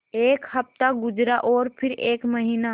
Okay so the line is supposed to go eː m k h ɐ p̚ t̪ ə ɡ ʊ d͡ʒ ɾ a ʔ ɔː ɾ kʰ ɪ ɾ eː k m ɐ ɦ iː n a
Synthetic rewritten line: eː k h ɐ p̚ t̪ a ɡ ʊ d͡ʒ ɾ a ʔ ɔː ɾ pʰ ɪ ɾ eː k m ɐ ɦ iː n a

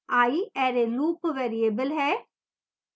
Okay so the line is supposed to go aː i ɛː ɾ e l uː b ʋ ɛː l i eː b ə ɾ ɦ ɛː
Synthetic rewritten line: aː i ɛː ɾ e l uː p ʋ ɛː ɾ i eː b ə l ɦ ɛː

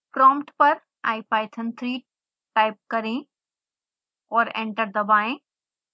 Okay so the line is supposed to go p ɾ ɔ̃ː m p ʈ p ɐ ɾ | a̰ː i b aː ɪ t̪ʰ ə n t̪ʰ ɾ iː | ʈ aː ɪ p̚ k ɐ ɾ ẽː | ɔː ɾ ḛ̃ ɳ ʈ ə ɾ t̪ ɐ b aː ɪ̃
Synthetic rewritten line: p ɾ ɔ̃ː m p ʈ p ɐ ɾ | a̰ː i p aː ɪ t̪ʰ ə n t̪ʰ ɾ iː | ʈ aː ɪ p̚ k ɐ ɾ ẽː | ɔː ɾ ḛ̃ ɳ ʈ ə ɾ d̪ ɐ b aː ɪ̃

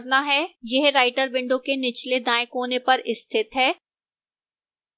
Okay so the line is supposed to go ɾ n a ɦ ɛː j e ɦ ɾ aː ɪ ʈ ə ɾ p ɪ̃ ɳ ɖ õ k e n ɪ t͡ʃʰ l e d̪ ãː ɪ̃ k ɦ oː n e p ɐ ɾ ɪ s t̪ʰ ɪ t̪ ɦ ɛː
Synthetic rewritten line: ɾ n a ɦ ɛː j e ɦ ɾ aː ɪ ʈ ə ɾ b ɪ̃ ɳ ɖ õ k e n ɪ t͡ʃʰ l e d̪ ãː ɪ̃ k ɦ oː n e p ɐ ɾ ɪ s t̪ʰ ɪ t̪ ɦ ɛː

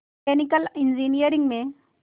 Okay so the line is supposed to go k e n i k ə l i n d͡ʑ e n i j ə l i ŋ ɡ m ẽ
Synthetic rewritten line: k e n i k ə l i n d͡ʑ i n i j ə ɾ i ŋ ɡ m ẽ

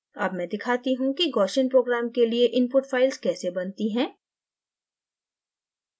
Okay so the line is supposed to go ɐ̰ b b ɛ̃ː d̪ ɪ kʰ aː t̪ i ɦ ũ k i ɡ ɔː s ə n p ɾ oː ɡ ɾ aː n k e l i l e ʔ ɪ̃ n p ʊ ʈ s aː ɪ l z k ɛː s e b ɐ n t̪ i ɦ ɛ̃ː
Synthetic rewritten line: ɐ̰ b m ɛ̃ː d̪ ɪ kʰ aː t̪ i ɦ ũ k i ɡ ɔː ʃ ə n p ɾ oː ɡ ɾ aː m k e l i e ʔ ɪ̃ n p ʊ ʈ f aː ɪ l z k ɛː s e b ɐ n t̪ i ɦ ɛ̃ː

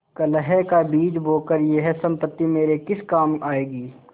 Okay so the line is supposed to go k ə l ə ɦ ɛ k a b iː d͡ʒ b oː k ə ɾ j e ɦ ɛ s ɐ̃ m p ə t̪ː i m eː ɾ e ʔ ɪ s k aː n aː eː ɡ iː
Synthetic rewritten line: k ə l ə ɦ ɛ k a b iː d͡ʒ b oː k ə ɾ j e ɦ ɛ s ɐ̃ m p ə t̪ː i m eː ɾ e k ɪ s k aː m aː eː ɡ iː

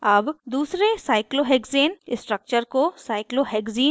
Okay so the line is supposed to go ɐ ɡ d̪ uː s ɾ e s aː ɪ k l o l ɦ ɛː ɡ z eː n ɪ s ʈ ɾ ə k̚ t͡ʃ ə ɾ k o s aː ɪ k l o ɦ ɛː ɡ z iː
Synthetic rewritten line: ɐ b d̪ uː s ɾ e s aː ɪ k l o ɦ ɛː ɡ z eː n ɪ s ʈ ɾ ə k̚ t͡ʃ ə ɾ k o s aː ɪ k l o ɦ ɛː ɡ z iː

